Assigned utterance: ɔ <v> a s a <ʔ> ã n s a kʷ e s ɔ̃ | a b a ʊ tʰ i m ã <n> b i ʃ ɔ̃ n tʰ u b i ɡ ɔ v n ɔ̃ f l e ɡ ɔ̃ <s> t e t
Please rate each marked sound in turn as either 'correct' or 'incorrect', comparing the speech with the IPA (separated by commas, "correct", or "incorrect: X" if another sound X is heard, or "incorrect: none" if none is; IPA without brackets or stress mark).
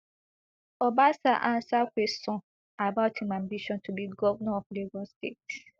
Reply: incorrect: b, correct, incorrect: m, correct